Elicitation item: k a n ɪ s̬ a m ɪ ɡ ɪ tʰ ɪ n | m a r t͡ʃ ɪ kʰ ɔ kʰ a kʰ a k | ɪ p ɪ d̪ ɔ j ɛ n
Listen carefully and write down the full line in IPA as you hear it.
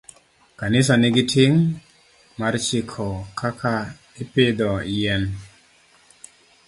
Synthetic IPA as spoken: k a n ɪ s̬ a n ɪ ɡ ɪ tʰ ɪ ŋ | m a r t͡ʃ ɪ kʰ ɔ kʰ a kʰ a | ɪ p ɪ d̪ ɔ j ɛ n